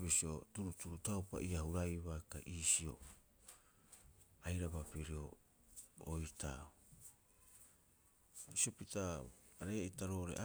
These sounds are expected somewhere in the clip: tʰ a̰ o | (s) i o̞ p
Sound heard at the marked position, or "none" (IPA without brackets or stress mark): s